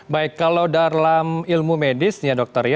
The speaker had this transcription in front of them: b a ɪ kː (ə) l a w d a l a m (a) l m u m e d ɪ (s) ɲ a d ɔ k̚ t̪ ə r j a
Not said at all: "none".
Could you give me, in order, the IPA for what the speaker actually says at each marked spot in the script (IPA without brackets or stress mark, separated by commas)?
a, i, s